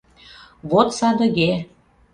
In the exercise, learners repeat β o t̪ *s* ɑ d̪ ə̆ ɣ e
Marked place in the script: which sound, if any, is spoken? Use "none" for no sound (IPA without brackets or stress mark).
s